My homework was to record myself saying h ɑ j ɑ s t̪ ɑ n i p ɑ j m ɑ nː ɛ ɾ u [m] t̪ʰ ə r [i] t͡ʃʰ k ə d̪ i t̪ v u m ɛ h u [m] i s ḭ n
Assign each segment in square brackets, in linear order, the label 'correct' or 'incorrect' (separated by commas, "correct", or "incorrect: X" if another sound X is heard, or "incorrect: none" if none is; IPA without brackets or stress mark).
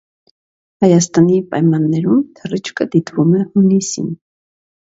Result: correct, correct, incorrect: n